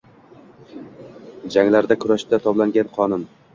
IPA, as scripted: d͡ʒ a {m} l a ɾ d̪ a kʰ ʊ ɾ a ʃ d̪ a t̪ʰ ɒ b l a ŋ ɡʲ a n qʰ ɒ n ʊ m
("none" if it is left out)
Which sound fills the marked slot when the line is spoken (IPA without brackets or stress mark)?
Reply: ŋ